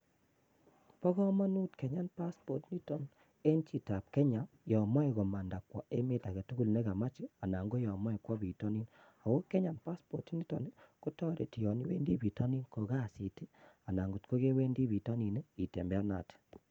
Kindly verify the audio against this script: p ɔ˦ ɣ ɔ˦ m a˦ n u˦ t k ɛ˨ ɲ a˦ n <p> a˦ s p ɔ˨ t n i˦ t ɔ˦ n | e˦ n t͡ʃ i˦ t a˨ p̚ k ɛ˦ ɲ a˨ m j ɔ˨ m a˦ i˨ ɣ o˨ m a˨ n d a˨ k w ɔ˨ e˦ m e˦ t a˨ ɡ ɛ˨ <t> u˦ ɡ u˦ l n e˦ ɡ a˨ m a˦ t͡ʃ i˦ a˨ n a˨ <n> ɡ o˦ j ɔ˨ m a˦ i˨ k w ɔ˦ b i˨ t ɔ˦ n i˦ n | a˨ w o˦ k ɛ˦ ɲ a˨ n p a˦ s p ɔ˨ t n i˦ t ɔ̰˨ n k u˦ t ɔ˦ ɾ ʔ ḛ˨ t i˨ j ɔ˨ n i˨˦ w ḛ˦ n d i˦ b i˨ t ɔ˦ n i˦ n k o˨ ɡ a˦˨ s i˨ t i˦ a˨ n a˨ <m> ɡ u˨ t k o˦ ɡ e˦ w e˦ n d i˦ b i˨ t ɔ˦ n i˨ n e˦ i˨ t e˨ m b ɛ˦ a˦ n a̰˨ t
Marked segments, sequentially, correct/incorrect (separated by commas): correct, correct, incorrect, incorrect